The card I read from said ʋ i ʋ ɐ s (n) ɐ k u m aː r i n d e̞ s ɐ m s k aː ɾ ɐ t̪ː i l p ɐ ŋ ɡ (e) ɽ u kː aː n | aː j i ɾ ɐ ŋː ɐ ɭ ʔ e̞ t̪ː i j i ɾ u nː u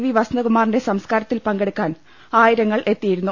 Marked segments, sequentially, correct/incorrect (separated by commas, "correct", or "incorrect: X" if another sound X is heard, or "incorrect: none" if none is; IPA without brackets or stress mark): correct, correct